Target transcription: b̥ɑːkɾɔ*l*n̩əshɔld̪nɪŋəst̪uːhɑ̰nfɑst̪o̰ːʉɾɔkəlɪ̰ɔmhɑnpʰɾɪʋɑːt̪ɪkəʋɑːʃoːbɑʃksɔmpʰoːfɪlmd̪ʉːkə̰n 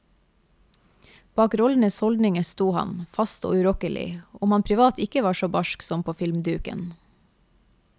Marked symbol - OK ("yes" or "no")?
yes